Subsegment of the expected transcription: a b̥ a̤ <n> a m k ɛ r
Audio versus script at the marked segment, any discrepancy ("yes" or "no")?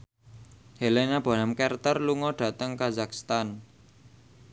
no